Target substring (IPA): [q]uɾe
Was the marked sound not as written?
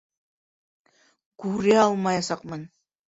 yes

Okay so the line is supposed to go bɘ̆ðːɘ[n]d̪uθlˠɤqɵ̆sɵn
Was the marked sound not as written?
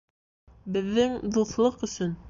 yes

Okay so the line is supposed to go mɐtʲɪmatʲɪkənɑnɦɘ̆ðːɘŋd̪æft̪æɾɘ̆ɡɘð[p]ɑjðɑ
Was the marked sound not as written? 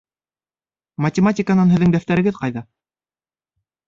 yes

